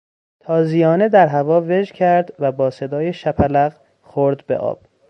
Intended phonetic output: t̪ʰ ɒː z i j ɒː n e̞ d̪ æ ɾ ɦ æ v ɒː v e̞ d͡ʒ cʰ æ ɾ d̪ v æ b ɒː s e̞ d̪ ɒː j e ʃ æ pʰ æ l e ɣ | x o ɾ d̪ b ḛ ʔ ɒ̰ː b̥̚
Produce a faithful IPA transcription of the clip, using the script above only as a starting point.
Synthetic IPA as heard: t̪ʰ ɒː z i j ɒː n e̞ d̪ æ ɾ ɦ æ v ɒː v e̞ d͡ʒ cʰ æ ɾ d̪ v æ b ɒː s e̞ d̪ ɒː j e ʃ æ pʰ æ l æ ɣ | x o ɾ d̪ b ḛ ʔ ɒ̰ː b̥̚